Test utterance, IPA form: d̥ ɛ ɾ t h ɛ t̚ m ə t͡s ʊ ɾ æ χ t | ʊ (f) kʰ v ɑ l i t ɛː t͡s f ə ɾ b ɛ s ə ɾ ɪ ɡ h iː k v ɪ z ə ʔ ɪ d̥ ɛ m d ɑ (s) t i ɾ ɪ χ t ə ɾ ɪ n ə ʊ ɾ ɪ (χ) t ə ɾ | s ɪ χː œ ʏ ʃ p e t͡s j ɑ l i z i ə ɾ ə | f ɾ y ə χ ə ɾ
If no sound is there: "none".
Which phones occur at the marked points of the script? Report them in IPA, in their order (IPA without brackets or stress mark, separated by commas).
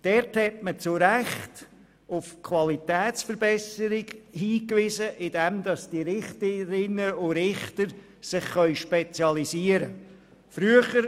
f, s, χ